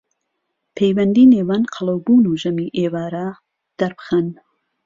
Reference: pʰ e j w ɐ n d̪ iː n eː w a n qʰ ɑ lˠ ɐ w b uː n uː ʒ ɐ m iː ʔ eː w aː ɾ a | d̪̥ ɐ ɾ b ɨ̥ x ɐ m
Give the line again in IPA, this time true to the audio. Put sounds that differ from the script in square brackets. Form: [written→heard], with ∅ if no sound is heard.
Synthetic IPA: pʰ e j w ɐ n d̪ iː n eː w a n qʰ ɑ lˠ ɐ w b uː n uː ʒ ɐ m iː ʔ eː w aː ɾ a | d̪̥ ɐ ɾ b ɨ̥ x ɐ [m→n]